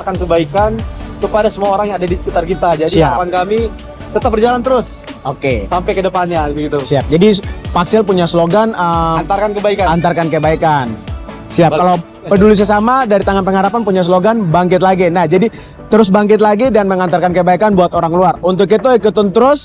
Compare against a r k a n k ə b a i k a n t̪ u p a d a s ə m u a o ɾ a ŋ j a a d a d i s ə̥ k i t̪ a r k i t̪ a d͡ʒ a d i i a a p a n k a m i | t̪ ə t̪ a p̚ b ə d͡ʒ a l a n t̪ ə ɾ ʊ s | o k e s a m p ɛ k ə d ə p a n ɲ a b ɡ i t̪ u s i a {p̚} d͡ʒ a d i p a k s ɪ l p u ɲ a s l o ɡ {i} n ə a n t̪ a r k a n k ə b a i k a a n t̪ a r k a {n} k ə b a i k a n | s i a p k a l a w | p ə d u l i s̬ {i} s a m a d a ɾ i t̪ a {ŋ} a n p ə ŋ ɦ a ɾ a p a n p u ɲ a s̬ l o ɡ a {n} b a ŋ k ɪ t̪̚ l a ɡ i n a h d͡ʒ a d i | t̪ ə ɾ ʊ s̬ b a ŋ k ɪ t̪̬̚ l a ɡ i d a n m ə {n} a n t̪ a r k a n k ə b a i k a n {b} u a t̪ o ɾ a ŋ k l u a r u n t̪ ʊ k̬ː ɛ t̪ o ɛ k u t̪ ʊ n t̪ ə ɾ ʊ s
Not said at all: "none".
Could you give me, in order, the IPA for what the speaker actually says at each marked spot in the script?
p̚, a, n, a, ŋ, n, ŋ, b

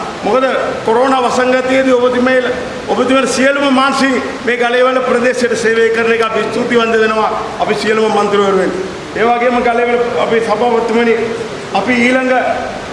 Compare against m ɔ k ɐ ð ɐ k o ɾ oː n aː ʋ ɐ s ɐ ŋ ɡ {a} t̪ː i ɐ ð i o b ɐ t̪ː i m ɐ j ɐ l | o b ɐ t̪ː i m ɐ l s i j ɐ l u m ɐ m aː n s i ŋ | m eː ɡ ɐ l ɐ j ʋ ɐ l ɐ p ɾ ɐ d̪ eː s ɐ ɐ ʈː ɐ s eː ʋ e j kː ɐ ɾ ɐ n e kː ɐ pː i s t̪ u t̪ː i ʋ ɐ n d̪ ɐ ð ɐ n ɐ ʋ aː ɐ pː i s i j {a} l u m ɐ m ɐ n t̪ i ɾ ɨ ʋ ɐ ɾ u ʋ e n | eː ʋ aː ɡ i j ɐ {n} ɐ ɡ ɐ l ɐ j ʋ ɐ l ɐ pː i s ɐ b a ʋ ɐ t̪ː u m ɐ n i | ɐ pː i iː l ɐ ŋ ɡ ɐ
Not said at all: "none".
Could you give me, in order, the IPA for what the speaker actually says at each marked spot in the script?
ɐ, ɐ, m

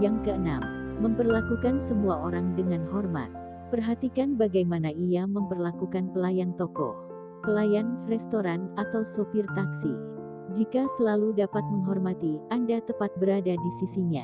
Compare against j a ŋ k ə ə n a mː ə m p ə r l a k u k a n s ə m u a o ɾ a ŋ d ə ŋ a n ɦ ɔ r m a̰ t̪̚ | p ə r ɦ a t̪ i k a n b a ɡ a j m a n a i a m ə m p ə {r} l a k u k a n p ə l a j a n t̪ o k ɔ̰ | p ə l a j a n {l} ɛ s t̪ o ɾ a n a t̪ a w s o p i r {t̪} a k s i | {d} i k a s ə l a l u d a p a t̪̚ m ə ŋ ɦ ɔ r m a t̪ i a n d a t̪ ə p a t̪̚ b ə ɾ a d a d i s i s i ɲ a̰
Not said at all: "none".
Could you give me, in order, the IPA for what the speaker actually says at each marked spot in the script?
r, r, t̪, d͡ʒ

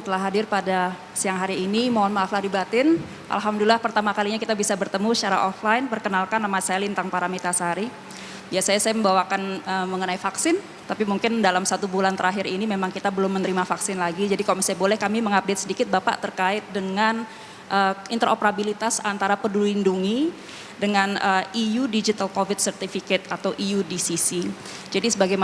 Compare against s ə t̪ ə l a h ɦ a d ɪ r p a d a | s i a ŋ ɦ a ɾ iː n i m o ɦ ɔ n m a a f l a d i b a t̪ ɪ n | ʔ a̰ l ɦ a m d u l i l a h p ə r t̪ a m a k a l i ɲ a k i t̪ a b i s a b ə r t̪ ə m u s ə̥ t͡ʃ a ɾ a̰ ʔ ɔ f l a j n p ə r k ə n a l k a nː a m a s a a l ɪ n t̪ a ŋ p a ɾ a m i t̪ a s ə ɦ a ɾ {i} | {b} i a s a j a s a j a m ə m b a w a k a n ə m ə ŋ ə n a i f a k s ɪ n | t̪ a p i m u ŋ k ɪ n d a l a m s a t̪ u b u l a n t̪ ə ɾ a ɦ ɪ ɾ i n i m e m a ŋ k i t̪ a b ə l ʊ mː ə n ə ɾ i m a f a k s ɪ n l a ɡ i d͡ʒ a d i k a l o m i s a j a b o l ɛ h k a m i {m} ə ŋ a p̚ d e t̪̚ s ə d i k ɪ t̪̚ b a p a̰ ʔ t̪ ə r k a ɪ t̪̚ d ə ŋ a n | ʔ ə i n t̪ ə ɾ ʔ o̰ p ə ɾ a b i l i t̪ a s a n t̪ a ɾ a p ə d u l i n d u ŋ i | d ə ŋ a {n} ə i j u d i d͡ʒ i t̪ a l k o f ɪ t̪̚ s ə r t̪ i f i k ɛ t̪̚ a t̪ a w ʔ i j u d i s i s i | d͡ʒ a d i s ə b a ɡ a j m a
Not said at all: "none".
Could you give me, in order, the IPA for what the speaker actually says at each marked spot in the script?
i, b, m, n

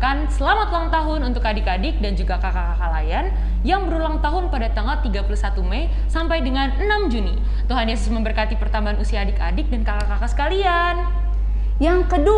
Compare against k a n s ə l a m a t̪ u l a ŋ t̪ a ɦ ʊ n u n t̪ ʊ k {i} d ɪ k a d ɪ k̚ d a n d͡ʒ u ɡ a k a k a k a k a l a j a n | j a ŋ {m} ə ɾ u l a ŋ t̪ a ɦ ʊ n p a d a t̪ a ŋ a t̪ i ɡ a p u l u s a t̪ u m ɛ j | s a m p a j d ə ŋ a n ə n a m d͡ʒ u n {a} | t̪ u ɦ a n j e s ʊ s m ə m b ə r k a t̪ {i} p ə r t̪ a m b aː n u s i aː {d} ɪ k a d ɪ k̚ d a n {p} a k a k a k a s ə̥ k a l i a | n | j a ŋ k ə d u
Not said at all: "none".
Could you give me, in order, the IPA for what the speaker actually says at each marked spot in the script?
a, b, i, i, d, k

